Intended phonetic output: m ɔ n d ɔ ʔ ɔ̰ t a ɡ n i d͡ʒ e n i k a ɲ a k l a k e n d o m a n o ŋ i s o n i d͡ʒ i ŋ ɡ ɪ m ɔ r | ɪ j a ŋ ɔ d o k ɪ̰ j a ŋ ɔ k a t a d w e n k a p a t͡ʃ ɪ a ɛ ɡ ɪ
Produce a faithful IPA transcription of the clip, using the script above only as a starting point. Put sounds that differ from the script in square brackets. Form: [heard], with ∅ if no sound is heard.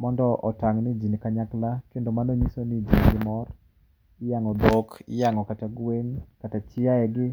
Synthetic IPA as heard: m ɔ n d ɔ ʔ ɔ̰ t a [ŋ] n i d͡ʒ [i] n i k a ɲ a k l a k e n d o m a n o [ɲ] i s o n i d͡ʒ i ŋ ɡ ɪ m ɔ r | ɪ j a ŋ ɔ d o k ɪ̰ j a ŋ ɔ k a t a [ɡ] w e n k a [t] a t͡ʃ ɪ a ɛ ɡ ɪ

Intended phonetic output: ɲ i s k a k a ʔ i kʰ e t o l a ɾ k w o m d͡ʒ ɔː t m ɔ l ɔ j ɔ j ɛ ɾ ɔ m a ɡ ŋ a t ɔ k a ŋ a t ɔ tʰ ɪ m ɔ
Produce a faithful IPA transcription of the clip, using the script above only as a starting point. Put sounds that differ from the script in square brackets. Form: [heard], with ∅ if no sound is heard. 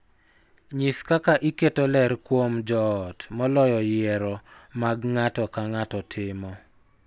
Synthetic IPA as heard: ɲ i s k a k a ʔ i [k] e t o l [ɛ] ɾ k w o m d͡ʒ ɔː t m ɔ l ɔ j ɔ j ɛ ɾ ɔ m a ɡ ŋ a t ɔ k a ŋ a t ɔ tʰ ɪ m ɔ

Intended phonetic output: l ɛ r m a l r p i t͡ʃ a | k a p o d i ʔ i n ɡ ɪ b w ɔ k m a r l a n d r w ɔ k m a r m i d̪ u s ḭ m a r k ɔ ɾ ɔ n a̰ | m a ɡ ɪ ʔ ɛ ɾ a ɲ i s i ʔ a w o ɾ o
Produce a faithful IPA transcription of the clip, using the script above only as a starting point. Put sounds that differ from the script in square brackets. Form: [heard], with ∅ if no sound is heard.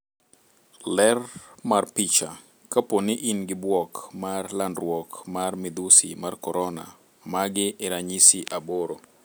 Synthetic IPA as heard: l ɛ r m a [∅] r p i t͡ʃ a | k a p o [n] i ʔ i n ɡ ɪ b w ɔ k m a r l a n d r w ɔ k m a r m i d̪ u s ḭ m a r k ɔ ɾ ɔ n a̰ | m a ɡ ɪ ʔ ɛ ɾ a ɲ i s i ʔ a [b] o ɾ o

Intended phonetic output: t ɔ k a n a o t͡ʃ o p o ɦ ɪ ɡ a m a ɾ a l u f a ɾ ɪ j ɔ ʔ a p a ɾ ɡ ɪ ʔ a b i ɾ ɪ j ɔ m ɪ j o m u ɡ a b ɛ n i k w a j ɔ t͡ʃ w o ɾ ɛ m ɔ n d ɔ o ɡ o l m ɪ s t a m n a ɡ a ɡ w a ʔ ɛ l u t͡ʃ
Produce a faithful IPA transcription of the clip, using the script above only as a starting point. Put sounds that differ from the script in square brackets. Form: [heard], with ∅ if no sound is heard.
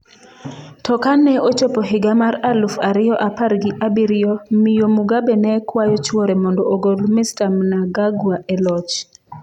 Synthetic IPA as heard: t ɔ k a n [ɛ] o t͡ʃ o p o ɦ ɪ ɡ a m a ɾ a l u f a ɾ ɪ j ɔ ʔ a p a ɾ ɡ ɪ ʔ a b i ɾ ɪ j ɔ m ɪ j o m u ɡ a b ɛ n [ɛ] k w a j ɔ t͡ʃ w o ɾ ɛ m ɔ n d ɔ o ɡ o l m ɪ s t a m n a ɡ a ɡ w a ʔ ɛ l [ɔ] t͡ʃ

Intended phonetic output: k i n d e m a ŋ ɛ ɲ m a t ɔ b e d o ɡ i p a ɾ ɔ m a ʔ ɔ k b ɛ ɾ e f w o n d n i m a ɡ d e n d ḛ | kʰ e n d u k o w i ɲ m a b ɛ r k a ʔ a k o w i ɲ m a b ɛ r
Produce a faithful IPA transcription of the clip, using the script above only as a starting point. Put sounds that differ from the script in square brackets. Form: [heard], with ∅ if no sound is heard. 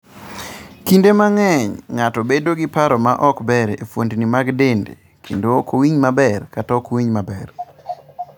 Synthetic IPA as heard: k i n d e m a ŋ ɛ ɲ [ŋ] a t ɔ b e d o ɡ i p a ɾ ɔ m a ʔ ɔ k b ɛ ɾ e f w o n d n i m a ɡ d e n d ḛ | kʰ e n d [o] k o w i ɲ m a b ɛ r k a [t] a k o w i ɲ m a b ɛ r

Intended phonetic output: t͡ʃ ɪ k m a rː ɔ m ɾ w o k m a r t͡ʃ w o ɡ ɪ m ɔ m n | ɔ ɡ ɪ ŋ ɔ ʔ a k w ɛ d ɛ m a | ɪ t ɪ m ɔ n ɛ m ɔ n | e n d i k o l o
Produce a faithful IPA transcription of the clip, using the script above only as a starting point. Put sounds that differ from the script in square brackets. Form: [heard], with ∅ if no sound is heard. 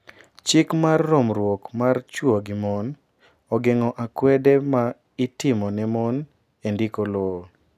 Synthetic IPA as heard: t͡ʃ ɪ k m a rː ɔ m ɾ w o k m a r t͡ʃ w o ɡ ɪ m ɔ [∅] n | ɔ ɡ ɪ ŋ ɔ ʔ a k w ɛ d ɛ m a | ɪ t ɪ m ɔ n ɛ m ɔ n | e n d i k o l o

